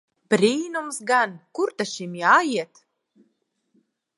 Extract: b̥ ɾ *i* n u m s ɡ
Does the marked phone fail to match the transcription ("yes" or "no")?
yes